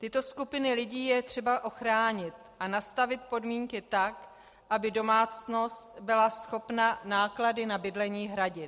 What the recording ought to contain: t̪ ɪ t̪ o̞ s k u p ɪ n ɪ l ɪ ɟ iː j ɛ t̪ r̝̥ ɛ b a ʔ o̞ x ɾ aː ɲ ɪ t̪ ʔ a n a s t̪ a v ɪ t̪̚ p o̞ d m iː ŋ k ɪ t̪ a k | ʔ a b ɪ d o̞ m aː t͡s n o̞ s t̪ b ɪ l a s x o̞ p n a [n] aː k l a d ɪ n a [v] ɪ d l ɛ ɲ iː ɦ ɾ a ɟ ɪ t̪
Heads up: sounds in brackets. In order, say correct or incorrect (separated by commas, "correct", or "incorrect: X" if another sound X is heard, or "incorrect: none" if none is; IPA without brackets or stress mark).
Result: correct, incorrect: b